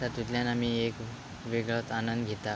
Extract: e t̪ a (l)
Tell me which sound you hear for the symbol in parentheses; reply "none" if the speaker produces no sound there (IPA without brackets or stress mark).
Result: none